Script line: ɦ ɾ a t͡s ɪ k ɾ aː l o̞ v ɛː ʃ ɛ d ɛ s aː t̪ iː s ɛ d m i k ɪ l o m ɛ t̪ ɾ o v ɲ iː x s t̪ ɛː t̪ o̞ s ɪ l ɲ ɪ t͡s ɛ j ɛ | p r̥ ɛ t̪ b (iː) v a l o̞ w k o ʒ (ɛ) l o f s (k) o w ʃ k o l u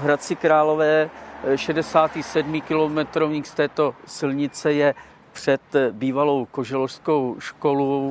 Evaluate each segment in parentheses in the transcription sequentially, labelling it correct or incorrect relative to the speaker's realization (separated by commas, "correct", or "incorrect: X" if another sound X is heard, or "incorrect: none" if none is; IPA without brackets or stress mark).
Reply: correct, correct, correct